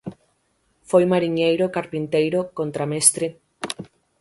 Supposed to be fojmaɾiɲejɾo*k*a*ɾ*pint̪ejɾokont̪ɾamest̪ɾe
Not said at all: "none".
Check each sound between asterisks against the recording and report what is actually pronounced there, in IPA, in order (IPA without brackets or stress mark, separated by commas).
k, ɾ